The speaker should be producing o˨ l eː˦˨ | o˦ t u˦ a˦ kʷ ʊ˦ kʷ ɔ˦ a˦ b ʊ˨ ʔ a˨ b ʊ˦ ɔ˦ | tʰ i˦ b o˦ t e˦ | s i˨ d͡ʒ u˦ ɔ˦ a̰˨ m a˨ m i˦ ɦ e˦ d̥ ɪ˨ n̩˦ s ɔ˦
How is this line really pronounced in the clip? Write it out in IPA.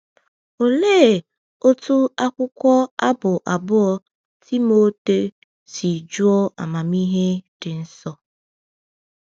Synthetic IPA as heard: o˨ l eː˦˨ | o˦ t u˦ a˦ kʷ ʊ˦ kʷ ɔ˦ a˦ b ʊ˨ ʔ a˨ b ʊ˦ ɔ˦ | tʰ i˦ m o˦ t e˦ | s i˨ d͡ʒ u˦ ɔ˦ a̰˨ m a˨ m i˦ ɦ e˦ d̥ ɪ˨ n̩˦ s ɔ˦